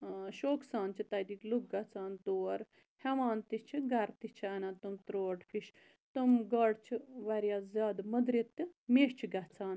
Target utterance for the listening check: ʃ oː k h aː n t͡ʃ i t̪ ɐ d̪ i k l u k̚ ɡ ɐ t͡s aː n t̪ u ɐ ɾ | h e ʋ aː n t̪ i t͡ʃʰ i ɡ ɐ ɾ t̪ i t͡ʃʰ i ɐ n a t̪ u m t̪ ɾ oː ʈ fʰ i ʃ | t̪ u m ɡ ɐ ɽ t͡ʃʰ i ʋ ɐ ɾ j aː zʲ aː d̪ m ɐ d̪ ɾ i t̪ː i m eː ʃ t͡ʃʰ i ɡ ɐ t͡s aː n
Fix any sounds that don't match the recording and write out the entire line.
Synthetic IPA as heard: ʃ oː k s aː n t͡ʃ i t̪ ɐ d̪ i k l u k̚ ɡ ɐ t͡s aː n t̪ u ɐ ɾ | h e ʋ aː n t̪ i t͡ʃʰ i ɡ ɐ ɾ t̪ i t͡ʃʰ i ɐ n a t̪ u m t̪ ɾ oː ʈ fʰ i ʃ | t̪ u m ɡ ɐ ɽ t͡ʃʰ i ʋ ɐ ɾ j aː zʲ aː d̪ m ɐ d̪ ɾ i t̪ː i m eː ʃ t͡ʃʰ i ɡ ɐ t͡s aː n